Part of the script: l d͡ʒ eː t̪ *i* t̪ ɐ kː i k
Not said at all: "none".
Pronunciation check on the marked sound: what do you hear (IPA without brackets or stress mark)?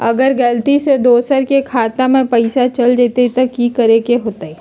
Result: e